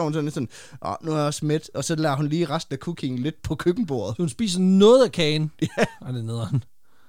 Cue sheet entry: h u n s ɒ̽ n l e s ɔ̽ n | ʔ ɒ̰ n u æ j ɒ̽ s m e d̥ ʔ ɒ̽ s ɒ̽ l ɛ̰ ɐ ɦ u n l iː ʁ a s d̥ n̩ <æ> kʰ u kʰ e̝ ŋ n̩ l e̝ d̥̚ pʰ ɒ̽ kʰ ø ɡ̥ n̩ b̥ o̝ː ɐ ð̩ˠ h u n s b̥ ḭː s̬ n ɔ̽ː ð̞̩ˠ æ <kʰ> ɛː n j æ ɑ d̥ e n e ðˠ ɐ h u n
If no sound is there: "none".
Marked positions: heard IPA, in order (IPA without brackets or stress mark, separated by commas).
æ, kʰ